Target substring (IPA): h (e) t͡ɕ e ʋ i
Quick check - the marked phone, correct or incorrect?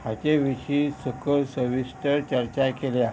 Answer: incorrect